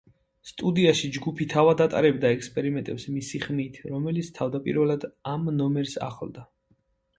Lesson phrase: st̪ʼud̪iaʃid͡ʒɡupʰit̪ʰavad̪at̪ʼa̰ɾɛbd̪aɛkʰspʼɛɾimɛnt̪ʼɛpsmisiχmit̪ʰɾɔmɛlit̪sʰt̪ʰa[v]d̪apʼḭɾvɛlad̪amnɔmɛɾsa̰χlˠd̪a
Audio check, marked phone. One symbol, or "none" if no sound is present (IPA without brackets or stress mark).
v